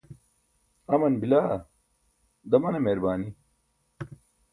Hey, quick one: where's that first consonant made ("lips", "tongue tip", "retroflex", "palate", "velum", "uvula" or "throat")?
lips